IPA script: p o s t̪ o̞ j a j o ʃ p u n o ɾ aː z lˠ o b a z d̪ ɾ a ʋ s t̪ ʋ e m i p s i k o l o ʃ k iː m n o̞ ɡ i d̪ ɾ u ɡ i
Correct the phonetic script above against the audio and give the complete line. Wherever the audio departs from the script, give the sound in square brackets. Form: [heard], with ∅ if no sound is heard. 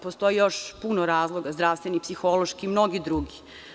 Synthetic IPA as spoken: p o s t̪ o̞ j [i] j o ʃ p u n o ɾ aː z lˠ o [ɡ] a z d̪ ɾ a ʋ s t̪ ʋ e [n] i p s i [x] o l o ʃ k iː m n o̞ ɡ i d̪ ɾ u ɡ i